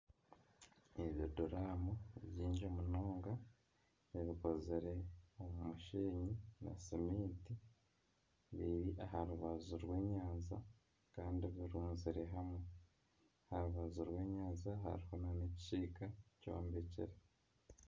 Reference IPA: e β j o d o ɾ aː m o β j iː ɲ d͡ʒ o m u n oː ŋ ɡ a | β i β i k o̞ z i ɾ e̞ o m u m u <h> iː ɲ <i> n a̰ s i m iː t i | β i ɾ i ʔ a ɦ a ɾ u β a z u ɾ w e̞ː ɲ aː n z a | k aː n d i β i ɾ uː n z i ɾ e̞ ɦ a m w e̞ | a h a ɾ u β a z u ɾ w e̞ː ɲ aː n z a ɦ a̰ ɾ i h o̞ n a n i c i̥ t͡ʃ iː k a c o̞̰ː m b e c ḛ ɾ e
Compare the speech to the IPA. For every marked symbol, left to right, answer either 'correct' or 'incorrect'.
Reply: incorrect, correct

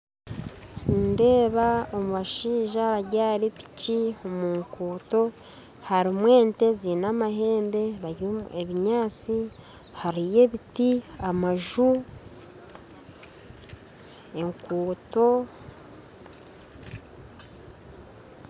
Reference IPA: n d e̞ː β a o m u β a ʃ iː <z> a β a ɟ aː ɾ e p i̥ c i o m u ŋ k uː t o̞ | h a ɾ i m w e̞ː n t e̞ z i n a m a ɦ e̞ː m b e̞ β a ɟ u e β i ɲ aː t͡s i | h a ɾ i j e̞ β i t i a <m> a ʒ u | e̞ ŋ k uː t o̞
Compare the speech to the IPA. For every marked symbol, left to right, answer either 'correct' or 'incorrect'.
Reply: incorrect, correct

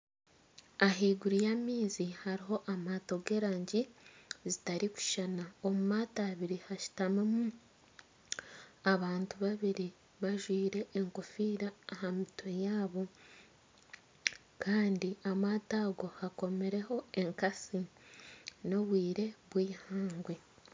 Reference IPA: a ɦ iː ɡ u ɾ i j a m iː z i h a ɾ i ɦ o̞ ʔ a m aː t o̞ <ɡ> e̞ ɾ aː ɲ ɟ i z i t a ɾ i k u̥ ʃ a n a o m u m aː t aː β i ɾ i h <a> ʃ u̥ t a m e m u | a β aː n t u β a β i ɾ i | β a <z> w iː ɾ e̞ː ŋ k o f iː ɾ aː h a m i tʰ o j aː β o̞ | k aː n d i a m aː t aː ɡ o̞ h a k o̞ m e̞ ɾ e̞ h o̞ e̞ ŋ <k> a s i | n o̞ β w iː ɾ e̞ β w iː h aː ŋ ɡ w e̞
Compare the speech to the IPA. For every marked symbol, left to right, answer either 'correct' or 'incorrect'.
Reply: correct, correct, incorrect, correct

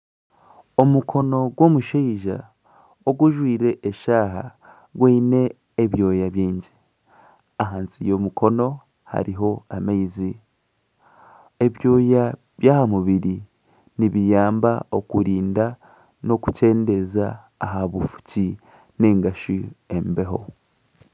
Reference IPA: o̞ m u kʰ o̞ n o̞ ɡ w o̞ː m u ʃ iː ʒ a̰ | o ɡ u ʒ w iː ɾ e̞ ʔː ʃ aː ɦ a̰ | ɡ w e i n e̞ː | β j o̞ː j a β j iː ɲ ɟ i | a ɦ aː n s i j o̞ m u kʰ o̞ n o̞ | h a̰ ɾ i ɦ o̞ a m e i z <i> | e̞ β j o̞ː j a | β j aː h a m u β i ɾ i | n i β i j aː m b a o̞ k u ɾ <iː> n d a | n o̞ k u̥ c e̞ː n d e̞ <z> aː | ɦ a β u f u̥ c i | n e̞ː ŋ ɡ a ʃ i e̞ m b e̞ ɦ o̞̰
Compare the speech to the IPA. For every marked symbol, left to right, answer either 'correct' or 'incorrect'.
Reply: correct, correct, correct

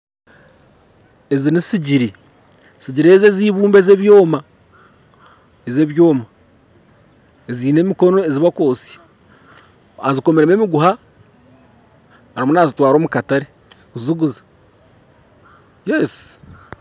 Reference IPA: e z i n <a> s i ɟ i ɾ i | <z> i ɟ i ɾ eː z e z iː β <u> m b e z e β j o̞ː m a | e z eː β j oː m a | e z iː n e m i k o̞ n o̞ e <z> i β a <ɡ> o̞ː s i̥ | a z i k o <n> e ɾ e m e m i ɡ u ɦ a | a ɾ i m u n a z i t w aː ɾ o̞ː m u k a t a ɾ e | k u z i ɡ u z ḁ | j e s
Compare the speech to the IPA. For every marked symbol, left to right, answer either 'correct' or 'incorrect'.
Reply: incorrect, incorrect, incorrect, correct, incorrect, incorrect

